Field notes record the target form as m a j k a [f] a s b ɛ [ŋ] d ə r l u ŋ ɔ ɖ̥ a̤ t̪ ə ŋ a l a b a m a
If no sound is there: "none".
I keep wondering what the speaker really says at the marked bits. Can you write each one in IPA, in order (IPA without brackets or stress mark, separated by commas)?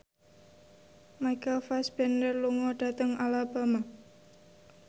f, n